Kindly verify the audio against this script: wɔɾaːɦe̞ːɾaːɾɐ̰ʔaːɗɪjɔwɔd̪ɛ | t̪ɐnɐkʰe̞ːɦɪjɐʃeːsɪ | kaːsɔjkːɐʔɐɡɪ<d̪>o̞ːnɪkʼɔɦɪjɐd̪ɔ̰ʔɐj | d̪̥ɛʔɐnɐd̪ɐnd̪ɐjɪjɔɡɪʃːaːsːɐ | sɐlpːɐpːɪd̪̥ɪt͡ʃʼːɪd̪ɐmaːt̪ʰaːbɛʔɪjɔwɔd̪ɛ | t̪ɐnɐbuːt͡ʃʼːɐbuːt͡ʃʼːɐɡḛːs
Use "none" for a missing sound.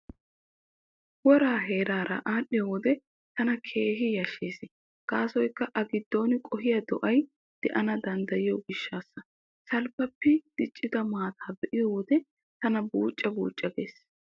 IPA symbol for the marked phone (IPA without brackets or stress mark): d̪ː